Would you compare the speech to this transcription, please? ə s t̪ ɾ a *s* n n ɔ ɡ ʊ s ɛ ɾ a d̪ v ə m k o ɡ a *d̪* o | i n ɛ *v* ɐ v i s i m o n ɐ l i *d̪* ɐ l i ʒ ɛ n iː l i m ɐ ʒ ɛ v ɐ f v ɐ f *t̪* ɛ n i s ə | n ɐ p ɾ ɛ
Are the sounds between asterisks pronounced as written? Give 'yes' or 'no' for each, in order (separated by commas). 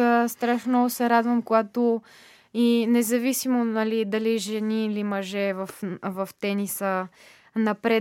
no, no, no, yes, yes